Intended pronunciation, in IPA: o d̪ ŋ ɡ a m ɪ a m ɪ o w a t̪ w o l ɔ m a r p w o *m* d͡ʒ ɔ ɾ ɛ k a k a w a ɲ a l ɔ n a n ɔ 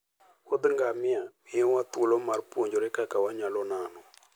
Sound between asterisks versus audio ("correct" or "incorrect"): incorrect